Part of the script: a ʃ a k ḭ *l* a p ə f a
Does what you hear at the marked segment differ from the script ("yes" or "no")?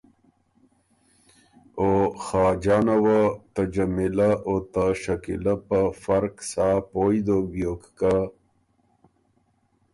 no